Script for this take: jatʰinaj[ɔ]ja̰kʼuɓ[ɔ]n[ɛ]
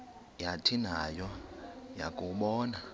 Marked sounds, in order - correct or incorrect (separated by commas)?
correct, incorrect, incorrect